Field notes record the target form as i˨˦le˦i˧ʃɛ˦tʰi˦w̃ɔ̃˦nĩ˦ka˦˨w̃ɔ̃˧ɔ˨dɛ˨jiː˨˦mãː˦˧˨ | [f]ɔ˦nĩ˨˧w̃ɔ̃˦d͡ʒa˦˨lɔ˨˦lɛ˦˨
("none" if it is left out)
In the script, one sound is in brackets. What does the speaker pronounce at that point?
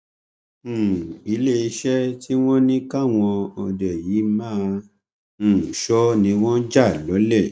ʃ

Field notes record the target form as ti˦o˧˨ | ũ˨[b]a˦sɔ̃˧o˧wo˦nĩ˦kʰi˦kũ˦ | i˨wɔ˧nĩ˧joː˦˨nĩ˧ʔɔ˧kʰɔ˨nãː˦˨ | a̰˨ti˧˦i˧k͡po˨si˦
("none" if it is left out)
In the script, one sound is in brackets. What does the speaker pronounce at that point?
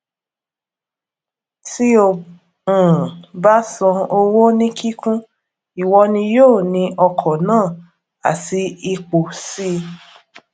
b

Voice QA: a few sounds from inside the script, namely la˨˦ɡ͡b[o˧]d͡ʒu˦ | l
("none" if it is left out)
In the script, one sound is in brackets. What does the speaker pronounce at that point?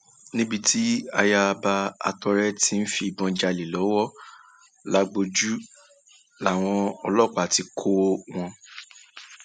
o˧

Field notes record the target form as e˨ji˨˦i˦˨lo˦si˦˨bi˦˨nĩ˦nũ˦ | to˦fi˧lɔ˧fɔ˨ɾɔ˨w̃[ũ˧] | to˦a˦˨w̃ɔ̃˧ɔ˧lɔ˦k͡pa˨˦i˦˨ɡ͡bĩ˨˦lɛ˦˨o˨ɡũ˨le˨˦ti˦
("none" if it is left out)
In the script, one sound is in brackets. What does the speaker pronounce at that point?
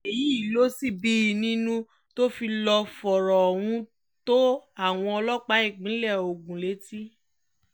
ũ˧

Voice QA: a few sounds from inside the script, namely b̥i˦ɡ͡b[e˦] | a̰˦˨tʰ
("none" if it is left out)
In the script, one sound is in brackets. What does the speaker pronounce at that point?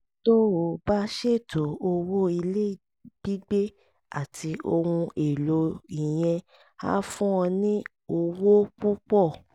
e˦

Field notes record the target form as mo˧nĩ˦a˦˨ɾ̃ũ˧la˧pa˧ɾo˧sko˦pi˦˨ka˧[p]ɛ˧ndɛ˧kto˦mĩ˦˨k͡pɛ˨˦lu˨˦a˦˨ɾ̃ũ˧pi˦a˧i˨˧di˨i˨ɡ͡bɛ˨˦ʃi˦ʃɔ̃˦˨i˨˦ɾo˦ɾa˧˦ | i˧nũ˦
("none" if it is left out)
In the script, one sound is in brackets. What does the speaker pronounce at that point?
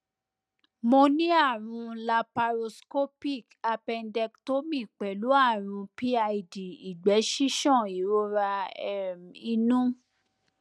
p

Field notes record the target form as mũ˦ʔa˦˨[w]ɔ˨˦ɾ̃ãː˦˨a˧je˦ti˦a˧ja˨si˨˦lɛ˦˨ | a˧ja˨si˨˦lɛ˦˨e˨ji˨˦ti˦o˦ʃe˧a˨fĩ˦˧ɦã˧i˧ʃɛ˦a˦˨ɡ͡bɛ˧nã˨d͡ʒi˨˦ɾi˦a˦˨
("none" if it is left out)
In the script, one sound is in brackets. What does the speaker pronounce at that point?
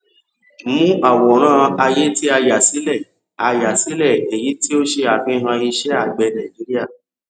w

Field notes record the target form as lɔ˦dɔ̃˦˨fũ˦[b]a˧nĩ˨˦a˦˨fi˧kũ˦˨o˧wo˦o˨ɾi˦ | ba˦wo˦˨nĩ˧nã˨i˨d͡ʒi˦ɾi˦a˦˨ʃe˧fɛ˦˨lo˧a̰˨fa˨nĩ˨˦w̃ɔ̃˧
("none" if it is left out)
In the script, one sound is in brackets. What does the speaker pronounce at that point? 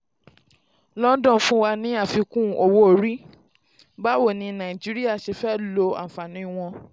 w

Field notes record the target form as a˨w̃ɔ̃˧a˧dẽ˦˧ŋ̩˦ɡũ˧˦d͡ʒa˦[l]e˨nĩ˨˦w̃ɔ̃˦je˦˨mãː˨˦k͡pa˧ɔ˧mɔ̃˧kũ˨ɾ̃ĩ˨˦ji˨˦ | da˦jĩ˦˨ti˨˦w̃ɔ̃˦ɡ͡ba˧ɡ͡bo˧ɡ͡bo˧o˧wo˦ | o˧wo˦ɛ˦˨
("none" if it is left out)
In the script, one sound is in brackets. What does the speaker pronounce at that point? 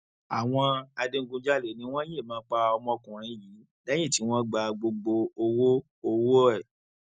l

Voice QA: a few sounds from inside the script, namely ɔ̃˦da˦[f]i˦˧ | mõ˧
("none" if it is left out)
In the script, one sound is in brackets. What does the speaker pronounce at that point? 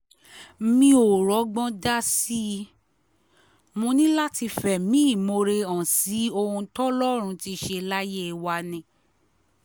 s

